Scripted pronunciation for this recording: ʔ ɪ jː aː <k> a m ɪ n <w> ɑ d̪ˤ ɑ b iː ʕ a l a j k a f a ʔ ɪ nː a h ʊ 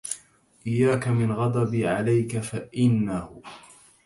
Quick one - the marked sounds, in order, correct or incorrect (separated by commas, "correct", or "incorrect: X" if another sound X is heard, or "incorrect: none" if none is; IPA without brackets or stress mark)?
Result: correct, incorrect: ɣ